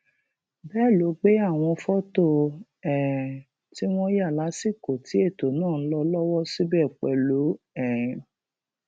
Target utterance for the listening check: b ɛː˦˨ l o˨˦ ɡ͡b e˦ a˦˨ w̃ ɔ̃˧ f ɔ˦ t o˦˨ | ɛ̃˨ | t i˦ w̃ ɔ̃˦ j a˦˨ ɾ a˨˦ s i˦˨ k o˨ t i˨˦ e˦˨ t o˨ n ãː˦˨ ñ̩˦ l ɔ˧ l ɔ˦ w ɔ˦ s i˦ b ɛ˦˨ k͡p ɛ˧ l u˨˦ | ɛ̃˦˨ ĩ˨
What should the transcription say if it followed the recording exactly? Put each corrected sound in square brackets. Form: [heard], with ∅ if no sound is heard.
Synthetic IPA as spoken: b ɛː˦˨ l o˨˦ ɡ͡b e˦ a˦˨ w̃ ɔ̃˧ f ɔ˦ t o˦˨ | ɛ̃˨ | t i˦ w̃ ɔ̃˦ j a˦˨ [l] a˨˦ s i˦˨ k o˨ t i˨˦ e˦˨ t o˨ n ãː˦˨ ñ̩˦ l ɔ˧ l ɔ˦ w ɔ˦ s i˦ b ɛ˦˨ k͡p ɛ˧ l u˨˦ | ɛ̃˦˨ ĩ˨